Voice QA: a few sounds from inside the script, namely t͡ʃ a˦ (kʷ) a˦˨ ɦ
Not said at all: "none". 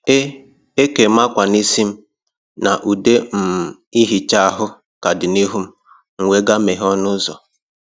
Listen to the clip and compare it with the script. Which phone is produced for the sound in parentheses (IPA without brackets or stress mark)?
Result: none